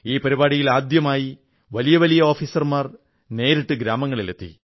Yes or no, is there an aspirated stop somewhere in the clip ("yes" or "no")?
no